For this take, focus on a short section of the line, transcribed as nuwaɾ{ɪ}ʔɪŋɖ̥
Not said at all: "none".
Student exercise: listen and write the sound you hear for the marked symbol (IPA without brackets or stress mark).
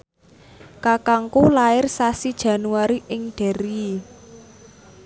i